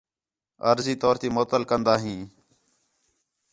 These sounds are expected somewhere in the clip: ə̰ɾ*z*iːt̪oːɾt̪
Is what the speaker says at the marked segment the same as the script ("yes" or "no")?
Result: yes